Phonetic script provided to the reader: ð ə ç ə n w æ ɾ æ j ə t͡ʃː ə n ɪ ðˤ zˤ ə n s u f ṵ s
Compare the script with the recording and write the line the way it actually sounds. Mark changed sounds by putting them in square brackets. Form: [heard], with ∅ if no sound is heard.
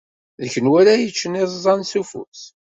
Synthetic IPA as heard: ð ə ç ə n w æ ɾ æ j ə t͡ʃː ə n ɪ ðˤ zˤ [ɑ] n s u f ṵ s